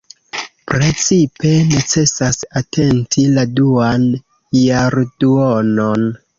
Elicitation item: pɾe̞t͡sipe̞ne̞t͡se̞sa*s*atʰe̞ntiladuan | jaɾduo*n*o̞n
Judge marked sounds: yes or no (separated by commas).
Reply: yes, yes